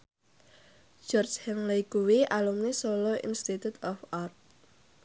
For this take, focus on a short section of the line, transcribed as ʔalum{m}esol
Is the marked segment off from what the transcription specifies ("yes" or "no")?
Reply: yes